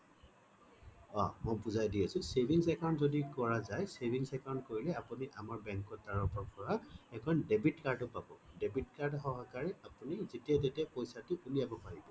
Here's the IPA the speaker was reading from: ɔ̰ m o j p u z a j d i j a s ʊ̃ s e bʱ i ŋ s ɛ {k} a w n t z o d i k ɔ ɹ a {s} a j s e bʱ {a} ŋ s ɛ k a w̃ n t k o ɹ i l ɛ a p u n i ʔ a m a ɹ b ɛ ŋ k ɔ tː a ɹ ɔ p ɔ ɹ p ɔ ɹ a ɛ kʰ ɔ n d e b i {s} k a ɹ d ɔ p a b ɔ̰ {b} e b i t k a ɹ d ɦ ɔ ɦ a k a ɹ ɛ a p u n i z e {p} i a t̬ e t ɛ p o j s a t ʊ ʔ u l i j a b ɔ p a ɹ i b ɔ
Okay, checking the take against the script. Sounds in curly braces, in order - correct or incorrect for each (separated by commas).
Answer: correct, incorrect, incorrect, incorrect, incorrect, incorrect